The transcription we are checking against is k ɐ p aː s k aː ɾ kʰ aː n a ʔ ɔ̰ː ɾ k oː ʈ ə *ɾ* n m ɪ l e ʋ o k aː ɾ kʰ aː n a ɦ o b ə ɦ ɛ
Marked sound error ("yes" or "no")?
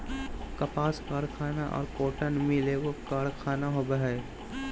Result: yes